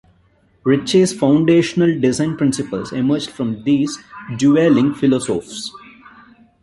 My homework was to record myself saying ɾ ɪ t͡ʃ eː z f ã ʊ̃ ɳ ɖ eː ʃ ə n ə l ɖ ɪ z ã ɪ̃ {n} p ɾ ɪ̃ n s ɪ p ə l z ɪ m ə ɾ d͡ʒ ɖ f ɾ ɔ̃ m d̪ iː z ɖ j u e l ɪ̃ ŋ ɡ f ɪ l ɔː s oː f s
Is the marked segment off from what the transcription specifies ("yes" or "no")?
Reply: no